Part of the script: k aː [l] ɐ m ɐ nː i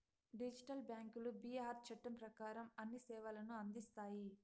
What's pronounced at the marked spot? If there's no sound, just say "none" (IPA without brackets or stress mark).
ɾ